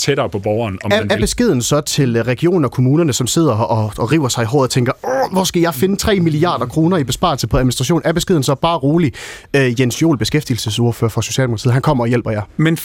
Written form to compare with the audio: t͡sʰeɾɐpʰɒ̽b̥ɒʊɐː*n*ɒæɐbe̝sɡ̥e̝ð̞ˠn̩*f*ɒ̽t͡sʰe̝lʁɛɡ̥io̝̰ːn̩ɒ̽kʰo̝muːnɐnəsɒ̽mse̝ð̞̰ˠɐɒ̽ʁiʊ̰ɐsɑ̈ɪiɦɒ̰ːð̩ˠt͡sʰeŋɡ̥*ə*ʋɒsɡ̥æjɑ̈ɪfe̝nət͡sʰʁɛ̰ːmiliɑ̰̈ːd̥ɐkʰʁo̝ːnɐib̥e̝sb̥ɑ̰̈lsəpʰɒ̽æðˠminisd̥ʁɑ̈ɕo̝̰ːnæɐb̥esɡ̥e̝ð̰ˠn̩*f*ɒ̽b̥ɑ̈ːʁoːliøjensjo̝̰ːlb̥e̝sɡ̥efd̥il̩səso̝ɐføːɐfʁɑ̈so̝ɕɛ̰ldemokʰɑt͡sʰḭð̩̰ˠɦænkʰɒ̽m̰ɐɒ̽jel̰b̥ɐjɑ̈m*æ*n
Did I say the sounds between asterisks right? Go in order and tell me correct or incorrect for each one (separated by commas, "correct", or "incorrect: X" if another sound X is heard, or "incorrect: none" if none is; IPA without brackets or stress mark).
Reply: correct, incorrect: s, incorrect: ɐ, incorrect: s, incorrect: e